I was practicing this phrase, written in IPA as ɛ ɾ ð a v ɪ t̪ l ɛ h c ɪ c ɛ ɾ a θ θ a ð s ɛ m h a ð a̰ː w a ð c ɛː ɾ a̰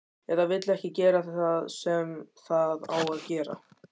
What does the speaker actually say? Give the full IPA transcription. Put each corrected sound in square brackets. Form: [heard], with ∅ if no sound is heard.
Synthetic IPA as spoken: ɛ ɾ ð a v ɪ t̪ l ɛ h c ɪ c [ɛː] ɾ a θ θ a ð s ɛ m [θ] a ð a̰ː w a ð c ɛː ɾ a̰